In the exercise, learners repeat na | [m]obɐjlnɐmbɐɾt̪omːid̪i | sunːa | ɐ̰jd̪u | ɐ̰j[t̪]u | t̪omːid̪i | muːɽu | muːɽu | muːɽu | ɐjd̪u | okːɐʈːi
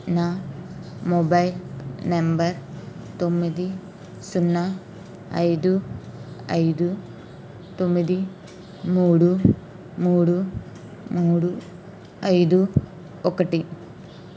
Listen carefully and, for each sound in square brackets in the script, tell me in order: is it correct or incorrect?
correct, incorrect

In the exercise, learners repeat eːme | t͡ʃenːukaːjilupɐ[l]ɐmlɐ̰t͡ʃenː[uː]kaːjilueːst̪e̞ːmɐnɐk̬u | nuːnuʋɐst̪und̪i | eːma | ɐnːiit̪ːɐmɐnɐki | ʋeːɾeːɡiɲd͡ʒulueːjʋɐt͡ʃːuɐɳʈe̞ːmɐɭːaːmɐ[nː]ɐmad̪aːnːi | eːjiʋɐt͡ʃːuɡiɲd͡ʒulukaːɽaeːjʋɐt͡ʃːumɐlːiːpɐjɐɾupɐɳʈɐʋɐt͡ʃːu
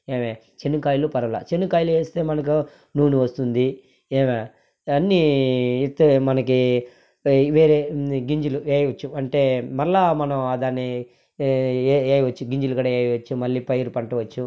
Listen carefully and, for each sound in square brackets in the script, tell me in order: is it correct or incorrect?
incorrect, incorrect, incorrect

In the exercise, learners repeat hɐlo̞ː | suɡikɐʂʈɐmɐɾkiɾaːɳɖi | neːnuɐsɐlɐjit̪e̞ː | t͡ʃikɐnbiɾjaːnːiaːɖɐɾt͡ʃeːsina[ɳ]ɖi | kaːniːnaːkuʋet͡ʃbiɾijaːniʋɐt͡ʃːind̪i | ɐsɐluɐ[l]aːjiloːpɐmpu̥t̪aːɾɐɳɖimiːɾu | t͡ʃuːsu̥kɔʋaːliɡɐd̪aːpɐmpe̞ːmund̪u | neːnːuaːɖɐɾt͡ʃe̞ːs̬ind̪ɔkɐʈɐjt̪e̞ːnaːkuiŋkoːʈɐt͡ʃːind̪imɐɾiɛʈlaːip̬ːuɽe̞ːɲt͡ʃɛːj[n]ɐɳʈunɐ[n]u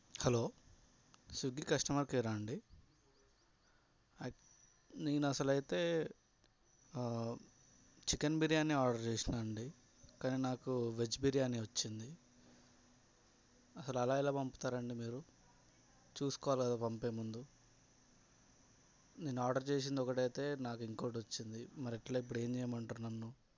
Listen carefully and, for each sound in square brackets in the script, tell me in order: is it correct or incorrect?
correct, correct, incorrect, incorrect

